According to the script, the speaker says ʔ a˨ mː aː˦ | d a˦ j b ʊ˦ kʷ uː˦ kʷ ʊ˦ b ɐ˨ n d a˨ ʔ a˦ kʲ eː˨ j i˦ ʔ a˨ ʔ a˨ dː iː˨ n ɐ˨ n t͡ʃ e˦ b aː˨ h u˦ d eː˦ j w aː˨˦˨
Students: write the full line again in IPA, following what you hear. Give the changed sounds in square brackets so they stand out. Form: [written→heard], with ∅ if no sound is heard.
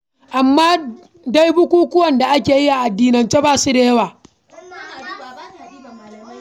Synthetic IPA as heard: ʔ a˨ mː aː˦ | d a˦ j b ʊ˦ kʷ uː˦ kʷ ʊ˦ [b→w] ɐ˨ n d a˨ ʔ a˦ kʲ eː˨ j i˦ ʔ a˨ ʔ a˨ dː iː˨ n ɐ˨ n t͡ʃ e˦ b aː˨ [h→s] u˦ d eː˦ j w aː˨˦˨